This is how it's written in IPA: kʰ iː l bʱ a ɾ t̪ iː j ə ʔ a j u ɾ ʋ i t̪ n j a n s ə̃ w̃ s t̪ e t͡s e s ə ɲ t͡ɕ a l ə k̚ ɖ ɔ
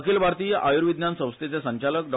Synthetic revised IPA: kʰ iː l bʱ a ɾ t̪ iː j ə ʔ a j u ɾ ʋ i d̪ n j a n s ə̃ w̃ s t̪ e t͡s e s ə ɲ t͡ɕ a l ə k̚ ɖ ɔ